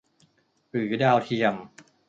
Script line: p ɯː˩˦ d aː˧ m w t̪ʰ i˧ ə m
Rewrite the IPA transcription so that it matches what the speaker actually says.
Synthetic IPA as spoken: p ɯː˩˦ d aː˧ w t̪ʰ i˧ ə m